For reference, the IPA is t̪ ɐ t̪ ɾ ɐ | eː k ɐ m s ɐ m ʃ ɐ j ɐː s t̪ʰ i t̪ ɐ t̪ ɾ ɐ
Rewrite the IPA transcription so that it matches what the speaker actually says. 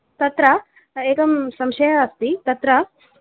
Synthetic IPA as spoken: t̪ ɐ t̪ ɾ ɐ | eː k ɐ m s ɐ m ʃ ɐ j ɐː s t̪ i t̪ ɐ t̪ ɾ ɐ